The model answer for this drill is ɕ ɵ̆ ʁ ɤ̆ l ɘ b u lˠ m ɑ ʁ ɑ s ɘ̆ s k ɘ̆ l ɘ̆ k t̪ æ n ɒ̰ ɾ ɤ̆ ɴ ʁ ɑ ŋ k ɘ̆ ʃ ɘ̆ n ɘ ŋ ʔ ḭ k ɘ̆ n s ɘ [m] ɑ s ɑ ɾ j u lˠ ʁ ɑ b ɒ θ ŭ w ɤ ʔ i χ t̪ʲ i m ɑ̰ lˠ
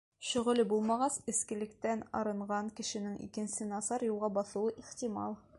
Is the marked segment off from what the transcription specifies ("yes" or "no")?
yes